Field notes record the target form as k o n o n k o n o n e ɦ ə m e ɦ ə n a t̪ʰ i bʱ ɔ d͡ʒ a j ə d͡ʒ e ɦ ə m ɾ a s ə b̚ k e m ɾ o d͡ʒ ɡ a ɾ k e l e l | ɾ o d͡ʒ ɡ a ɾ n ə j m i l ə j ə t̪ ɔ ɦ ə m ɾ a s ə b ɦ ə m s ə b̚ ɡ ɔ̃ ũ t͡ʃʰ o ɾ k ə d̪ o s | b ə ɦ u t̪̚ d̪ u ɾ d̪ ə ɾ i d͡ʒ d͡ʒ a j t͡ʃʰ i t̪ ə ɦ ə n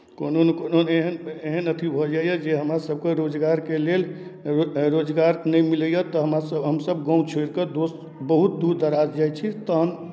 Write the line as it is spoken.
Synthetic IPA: k o n o n k o n o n e ɦ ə n e ɦ ə n ə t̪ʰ i bʱ ɔ d͡ʒ a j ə d͡ʒ e ɦ ə m ɾ a s ə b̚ k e ɾ o d͡ʒ ɡ a ɾ k e l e l | ɾ o d͡ʒ ɡ a ɾ n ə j m i l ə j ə t̪ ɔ ɦ ə m ɾ a s ə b ɦ ə m s ə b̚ ɡ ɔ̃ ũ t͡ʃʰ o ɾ k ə d̪ o s | b ə ɦ u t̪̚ d̪ u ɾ d̪ ə ɾ a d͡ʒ d͡ʒ a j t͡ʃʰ i t̪ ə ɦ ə n